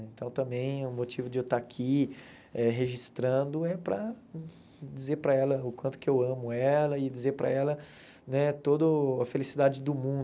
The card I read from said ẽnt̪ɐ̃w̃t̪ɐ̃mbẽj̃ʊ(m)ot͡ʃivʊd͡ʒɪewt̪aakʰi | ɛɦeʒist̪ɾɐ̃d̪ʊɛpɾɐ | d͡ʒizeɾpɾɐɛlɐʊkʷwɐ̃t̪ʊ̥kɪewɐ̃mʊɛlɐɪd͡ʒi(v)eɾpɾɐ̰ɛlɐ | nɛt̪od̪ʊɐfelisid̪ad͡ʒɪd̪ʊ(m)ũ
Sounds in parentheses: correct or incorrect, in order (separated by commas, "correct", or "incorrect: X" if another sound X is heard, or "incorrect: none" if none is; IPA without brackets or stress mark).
correct, incorrect: z, correct